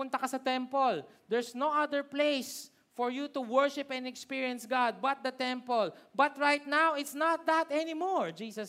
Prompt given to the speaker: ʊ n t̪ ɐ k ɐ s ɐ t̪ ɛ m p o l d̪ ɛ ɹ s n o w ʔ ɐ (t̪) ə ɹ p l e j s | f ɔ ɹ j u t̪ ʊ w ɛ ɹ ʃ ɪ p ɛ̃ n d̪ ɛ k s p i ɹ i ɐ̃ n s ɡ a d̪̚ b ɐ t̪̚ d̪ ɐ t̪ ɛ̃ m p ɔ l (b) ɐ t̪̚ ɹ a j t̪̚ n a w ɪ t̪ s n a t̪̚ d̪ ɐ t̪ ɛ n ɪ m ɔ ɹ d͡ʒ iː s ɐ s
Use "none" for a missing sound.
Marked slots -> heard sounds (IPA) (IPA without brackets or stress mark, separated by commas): d̪, b